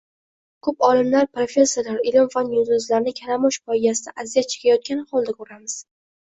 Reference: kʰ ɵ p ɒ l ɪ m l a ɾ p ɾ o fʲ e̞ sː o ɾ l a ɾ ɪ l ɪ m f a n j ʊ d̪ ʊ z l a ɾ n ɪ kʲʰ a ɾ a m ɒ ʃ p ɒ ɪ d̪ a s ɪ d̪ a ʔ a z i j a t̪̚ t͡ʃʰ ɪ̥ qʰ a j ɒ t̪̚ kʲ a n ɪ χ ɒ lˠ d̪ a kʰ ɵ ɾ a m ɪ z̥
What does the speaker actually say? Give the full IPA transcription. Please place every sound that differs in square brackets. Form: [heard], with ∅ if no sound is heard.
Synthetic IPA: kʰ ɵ p ɒ l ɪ m l a ɾ p ɾ o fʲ e̞ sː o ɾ l a ɾ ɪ l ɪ m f a n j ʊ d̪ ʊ z l a ɾ n ɪ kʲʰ a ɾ a m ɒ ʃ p ɒ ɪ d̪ a s ɪ d̪ a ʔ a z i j a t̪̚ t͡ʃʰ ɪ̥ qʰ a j ɒ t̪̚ kʲ a n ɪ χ ɒ lˠ d̪ a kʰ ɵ ɾ a m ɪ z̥